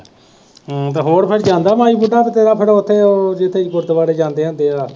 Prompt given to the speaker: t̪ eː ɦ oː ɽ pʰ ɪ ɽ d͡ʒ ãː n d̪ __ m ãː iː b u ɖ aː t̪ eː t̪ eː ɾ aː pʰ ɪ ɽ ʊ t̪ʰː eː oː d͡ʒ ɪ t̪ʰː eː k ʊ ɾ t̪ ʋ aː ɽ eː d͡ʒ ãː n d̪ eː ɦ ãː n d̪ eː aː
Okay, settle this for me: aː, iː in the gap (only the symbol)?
aː